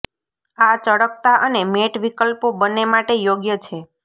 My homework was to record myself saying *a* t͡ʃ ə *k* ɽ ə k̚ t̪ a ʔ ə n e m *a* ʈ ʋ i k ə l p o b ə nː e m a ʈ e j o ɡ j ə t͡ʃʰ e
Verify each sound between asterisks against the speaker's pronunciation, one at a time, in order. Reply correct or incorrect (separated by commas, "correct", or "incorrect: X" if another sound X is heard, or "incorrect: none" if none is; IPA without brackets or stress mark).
correct, incorrect: none, incorrect: e